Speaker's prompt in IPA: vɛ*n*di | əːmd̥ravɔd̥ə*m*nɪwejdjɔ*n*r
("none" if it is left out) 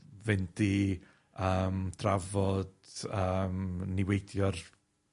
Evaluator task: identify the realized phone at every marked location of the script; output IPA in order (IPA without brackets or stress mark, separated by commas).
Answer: n, m, none